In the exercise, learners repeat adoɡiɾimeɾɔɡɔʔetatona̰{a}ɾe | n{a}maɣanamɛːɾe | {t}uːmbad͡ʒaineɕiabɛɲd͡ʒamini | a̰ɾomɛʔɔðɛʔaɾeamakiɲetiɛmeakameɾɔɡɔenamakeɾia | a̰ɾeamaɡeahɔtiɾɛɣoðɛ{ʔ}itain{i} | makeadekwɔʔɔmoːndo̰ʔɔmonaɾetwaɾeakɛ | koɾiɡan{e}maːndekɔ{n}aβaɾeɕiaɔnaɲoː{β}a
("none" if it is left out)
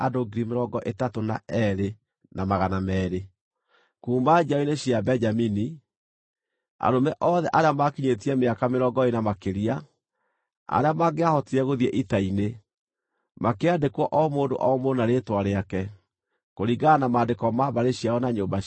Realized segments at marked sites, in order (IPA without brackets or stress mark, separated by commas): ɛ, a, k, ʔ, e, a, m, b